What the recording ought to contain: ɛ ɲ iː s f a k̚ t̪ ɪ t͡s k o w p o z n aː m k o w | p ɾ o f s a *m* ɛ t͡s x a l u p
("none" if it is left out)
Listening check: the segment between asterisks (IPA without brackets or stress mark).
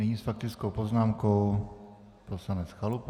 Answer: n